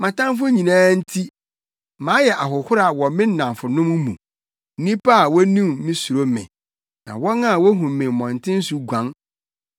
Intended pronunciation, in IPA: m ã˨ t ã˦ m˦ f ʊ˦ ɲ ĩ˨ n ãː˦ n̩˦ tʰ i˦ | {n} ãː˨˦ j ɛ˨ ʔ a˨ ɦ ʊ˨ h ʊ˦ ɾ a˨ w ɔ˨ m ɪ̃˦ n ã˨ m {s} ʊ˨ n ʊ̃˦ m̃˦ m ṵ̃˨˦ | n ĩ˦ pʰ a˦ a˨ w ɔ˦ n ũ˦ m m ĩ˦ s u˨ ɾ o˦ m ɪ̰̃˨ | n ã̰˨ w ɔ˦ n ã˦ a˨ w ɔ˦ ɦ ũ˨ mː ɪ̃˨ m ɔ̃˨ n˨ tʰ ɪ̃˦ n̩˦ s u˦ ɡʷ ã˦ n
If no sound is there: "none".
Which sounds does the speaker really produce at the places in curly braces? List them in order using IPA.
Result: m, f

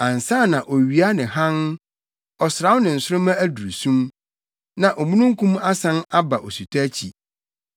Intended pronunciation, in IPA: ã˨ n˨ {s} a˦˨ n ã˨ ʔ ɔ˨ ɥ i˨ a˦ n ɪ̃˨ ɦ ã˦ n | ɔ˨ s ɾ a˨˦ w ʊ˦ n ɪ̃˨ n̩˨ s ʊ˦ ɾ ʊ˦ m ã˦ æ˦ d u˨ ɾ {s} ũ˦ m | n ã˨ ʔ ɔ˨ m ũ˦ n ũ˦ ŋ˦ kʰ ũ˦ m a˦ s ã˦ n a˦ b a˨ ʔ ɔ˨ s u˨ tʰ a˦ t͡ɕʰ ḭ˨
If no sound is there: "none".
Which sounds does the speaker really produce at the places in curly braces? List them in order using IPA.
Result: s, s

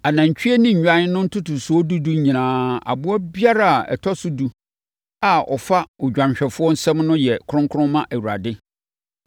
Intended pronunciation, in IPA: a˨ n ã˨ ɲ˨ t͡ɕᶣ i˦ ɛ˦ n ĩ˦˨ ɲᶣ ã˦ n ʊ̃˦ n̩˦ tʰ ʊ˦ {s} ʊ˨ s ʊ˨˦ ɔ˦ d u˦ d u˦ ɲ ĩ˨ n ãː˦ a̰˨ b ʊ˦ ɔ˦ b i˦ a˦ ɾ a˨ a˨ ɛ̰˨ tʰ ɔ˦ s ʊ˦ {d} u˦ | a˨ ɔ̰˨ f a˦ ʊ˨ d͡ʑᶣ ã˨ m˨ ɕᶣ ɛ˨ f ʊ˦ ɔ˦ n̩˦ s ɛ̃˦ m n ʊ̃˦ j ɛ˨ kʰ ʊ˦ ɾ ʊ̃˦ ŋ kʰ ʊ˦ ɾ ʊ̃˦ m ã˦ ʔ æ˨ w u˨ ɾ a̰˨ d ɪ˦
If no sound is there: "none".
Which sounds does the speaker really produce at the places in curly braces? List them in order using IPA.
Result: t, d

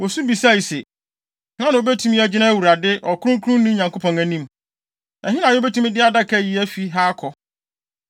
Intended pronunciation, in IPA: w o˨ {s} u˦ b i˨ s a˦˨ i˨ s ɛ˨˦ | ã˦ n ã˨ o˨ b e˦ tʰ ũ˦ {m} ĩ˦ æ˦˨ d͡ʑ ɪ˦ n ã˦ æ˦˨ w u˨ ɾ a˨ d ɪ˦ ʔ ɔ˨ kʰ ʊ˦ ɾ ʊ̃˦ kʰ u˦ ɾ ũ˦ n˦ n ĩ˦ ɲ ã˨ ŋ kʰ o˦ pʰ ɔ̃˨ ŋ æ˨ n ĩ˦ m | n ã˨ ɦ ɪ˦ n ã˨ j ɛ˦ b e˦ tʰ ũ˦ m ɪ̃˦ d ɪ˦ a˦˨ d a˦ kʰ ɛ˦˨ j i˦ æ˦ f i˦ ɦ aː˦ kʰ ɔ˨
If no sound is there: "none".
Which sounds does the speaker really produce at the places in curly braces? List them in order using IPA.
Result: s, m

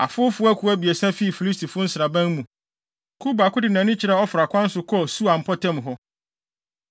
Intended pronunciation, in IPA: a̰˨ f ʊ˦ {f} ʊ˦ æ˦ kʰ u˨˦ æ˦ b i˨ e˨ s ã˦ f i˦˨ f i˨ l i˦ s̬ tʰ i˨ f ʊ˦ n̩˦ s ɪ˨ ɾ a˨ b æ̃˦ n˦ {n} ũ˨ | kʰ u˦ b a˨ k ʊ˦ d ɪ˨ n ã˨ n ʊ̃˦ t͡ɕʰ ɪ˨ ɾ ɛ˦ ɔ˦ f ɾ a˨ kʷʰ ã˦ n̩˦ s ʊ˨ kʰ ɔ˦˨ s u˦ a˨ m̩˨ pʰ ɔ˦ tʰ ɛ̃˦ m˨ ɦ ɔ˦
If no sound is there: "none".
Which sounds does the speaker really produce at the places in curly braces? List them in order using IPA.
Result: f, m

